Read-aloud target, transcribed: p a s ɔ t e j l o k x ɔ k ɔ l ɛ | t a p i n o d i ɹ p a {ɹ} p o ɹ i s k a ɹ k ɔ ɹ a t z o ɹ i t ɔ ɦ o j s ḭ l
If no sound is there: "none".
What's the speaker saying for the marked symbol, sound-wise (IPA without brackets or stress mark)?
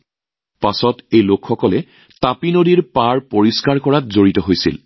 ɹ